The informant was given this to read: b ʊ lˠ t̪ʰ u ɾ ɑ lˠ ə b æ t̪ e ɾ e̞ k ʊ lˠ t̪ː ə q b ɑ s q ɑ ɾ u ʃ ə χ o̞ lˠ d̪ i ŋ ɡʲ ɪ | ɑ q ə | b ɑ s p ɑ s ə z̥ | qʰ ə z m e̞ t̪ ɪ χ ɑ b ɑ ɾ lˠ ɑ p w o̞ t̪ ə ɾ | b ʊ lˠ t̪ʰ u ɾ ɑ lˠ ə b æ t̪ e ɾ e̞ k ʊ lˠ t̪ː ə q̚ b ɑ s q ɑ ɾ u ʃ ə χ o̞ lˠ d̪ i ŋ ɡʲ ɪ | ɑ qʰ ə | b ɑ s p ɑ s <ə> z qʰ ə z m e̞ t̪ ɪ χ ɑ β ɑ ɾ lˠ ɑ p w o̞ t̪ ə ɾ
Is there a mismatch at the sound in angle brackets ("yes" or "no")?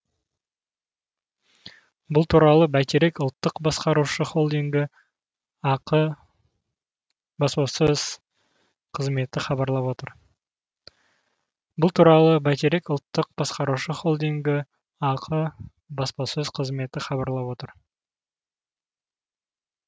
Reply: no